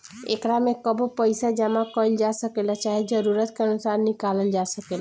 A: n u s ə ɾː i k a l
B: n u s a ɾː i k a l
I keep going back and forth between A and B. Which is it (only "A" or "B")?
B